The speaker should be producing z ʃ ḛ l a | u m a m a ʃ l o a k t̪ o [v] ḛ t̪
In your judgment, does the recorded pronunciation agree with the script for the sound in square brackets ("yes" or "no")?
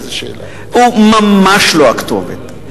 yes